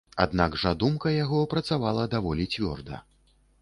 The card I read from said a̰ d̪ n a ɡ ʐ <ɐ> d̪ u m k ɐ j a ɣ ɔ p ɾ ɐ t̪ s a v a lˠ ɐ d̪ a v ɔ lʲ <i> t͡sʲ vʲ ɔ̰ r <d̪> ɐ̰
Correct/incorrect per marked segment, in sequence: incorrect, correct, correct

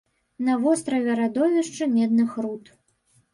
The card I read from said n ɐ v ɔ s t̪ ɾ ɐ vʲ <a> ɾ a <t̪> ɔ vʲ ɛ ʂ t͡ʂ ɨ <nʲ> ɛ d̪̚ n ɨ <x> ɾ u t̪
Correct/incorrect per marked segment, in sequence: incorrect, incorrect, incorrect, correct

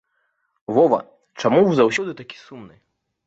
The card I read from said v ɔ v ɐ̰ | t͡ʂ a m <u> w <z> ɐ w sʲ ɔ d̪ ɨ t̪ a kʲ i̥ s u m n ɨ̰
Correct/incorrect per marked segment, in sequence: correct, correct

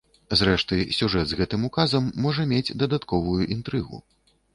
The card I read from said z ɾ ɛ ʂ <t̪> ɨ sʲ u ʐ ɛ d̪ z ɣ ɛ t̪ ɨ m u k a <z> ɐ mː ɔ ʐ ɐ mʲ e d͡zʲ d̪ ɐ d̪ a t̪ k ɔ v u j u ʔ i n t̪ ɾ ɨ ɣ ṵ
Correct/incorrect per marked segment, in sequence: correct, correct

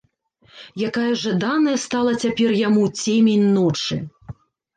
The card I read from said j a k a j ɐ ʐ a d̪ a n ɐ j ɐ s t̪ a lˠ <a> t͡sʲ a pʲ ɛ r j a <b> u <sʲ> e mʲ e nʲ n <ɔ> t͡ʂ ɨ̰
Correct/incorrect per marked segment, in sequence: incorrect, incorrect, incorrect, correct

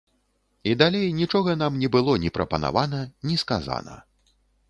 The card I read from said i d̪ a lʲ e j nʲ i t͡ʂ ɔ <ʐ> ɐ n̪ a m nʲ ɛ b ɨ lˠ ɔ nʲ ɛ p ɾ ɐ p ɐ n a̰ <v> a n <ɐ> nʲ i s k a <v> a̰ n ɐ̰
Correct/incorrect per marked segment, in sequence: incorrect, correct, correct, incorrect

